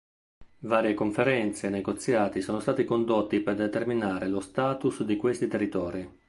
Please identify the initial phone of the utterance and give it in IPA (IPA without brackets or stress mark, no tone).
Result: v